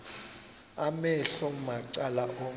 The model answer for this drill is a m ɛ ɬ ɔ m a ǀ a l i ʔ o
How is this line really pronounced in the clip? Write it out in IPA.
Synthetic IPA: a m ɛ ɬ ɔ m a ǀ a l a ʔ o